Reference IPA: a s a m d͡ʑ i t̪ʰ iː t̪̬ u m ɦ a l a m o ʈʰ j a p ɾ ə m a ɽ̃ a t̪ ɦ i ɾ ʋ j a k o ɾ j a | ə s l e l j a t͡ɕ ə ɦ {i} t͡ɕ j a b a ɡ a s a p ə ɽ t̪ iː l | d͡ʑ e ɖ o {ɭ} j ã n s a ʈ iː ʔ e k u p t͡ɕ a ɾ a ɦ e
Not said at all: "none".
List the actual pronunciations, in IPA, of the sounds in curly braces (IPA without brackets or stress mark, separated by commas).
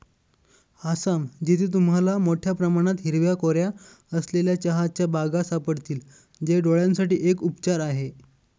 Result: a, ɭ